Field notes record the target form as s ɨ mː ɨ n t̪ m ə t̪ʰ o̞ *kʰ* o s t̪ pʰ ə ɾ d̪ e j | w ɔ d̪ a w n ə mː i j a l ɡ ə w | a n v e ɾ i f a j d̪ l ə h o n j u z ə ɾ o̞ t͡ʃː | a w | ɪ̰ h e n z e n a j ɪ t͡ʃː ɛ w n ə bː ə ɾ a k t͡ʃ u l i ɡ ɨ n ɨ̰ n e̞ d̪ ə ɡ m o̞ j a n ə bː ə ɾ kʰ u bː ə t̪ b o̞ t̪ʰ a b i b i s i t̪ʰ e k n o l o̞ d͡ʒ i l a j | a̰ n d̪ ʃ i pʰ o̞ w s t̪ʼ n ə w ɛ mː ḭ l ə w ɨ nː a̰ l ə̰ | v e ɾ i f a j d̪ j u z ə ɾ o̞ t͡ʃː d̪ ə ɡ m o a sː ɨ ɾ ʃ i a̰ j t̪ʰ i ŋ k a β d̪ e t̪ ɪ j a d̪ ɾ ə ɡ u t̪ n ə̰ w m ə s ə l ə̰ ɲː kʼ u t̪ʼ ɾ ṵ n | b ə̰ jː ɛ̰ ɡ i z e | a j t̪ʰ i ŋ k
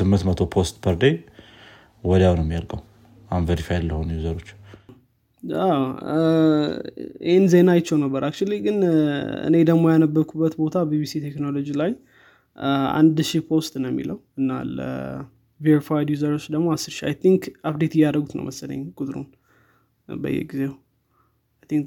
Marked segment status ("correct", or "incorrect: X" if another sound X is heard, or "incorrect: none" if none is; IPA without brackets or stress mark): incorrect: pʰ